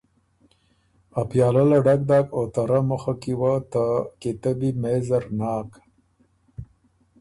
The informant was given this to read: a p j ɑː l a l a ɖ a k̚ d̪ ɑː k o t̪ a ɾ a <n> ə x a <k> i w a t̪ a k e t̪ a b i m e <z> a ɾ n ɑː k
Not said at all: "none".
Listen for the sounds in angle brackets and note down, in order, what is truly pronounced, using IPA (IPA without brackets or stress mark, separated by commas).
m, k, z